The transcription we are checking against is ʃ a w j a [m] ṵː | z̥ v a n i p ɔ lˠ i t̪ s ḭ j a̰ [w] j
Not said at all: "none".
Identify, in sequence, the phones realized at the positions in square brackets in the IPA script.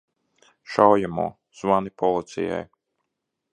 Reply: m, none

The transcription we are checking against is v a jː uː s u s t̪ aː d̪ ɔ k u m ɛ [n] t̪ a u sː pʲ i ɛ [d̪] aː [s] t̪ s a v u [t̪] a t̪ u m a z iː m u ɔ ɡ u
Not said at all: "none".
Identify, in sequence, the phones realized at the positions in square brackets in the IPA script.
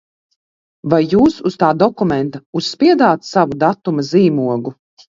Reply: n, d̪, none, d̪

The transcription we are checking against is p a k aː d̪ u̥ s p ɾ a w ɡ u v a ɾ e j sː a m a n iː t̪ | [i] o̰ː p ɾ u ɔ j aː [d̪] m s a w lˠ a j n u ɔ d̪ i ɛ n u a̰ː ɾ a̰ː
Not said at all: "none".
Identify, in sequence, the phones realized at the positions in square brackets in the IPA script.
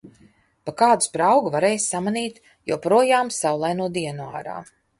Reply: j, none

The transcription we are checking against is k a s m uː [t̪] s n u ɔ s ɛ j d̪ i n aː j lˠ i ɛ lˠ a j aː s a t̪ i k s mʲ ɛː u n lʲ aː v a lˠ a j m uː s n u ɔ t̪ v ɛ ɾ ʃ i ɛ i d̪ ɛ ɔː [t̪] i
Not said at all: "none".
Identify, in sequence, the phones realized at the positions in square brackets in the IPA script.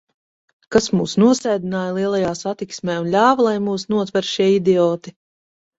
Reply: none, t̪

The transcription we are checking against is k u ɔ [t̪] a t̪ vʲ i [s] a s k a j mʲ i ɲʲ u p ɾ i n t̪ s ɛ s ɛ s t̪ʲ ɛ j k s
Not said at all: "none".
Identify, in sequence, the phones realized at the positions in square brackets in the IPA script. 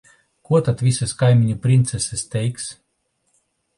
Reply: t̪, s

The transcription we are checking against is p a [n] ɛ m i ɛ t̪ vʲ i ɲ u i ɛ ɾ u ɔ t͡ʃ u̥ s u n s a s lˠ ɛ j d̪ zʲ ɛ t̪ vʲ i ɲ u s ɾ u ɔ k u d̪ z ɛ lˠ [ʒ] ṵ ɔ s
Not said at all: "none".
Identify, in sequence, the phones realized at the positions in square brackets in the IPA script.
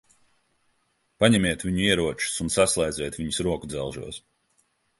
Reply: ɲ, ʒ

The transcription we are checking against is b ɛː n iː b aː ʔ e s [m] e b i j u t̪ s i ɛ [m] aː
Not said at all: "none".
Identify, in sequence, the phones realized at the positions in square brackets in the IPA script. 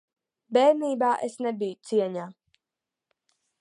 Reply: n, ɲ

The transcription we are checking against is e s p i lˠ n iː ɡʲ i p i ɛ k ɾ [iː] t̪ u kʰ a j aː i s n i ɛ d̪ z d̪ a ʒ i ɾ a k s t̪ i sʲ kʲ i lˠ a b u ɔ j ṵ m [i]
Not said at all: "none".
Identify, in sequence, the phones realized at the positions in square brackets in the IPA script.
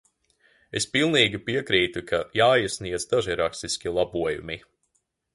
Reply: iː, i

